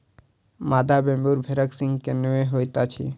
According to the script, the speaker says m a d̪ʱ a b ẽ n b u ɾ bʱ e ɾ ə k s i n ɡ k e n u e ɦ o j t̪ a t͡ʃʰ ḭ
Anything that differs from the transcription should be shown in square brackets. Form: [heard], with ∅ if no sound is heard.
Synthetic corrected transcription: m a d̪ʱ a b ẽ [m] b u ɾ bʱ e ɾ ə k s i [ŋ] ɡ k e n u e ɦ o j t̪ a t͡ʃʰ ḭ